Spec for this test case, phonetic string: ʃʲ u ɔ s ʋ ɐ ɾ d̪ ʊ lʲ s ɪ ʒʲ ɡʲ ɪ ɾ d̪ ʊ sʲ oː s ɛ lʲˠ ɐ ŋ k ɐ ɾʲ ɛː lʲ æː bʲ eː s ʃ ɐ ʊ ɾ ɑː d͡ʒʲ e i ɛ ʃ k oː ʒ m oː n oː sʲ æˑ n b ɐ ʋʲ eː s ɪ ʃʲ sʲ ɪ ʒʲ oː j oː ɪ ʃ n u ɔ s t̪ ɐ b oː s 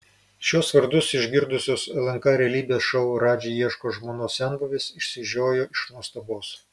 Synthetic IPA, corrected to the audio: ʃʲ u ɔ s ʋ ɐ ɾ d̪ ʊ s ɪ ʒʲ ɡʲ ɪ ɾ d̪ ʊ sʲ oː s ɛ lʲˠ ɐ ŋ k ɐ ɾʲ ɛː lʲ iː bʲ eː s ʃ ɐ ʊ ɾ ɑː d͡ʒʲ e i ɛ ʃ k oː ʒ m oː n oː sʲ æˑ n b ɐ ʋʲ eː s ɪ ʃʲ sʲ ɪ ʒʲ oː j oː ɪ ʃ n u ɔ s t̪ ɐ b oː s